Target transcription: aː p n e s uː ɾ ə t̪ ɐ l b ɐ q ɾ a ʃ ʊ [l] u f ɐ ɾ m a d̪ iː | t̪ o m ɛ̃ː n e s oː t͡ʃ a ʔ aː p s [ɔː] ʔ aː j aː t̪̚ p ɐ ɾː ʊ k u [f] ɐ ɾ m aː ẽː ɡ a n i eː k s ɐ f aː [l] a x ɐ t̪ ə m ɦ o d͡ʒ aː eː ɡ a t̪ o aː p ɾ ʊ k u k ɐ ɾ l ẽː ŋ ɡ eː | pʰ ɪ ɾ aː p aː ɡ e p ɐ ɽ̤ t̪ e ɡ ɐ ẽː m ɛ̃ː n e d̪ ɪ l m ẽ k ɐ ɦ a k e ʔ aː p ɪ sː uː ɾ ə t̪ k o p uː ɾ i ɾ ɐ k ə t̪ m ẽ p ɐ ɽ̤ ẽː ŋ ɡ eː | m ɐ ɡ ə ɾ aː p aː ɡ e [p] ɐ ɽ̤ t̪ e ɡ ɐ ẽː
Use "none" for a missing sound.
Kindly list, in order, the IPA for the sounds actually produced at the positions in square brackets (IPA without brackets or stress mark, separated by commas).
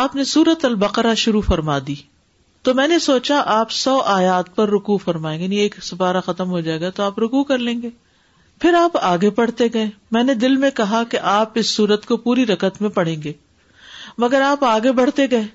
ɾ, ɔː, f, ɾ, b